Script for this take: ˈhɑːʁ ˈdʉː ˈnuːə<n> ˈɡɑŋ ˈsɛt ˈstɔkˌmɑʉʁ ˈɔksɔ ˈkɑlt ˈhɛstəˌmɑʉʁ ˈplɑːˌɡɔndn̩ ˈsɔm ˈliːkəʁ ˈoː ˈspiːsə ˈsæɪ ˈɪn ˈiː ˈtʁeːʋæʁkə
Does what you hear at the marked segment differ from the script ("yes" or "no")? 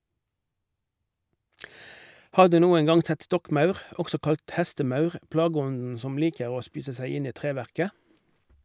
yes